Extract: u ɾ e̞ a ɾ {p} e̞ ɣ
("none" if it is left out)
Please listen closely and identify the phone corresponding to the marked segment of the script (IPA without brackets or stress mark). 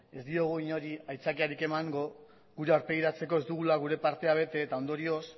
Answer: p